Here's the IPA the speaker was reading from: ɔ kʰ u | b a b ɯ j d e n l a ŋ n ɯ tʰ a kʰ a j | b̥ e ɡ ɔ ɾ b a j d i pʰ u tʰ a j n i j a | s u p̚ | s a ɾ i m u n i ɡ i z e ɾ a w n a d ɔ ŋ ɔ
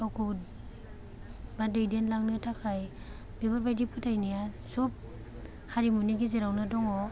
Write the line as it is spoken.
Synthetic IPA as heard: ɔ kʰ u | b a d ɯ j d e n l a ŋ n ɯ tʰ a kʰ a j | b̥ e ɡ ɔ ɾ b a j d i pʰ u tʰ a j n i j a | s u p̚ | h a ɾ i m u n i ɡ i z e ɾ a w n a d ɔ ŋ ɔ